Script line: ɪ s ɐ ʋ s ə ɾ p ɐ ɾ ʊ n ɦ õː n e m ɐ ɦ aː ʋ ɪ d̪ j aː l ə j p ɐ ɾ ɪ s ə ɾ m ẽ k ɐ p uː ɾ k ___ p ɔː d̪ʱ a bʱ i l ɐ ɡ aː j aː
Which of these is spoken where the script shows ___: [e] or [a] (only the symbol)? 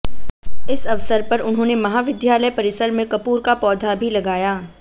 a